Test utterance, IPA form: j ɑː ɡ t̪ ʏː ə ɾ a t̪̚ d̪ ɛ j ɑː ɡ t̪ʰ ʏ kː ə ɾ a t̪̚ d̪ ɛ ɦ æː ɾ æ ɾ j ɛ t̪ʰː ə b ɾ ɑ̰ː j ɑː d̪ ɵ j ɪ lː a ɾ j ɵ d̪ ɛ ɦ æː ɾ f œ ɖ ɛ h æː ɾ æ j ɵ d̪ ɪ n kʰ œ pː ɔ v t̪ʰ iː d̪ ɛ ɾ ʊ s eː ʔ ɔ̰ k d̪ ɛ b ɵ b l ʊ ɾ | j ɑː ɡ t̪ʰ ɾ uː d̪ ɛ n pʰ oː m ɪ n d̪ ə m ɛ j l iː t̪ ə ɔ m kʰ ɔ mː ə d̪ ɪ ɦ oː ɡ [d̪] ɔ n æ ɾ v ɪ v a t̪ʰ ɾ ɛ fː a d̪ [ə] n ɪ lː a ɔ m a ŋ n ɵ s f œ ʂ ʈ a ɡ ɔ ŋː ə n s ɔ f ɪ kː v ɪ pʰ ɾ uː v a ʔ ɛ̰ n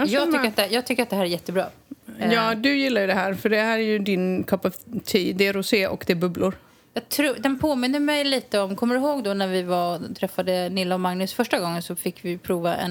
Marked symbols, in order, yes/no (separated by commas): yes, yes